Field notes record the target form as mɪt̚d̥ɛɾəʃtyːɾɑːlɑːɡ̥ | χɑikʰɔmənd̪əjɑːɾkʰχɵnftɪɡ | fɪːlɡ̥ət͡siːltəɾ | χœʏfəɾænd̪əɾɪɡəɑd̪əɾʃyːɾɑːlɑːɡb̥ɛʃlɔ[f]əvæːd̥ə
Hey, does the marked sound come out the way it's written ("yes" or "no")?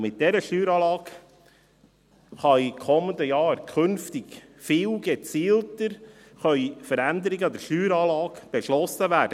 no